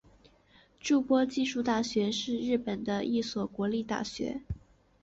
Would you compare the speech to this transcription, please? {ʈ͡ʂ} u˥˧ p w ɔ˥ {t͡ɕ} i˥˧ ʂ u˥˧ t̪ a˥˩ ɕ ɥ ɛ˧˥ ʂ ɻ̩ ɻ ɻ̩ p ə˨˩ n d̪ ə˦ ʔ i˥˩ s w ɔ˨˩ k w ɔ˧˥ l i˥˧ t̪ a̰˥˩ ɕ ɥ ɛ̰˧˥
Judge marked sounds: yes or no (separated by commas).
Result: yes, yes